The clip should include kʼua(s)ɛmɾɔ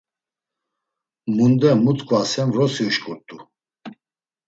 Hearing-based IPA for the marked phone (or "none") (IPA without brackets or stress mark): s